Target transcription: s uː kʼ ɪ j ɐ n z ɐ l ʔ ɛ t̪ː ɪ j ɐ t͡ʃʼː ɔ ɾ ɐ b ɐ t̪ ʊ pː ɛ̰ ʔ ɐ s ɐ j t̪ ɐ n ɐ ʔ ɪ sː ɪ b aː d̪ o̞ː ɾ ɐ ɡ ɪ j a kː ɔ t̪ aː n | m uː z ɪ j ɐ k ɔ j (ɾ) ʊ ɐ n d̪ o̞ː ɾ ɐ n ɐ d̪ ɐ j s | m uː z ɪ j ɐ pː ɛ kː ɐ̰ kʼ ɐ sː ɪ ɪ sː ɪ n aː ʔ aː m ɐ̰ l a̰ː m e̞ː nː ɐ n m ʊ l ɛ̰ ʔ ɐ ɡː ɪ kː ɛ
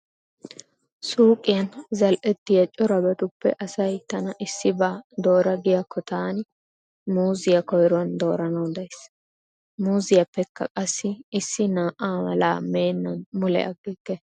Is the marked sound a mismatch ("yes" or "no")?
no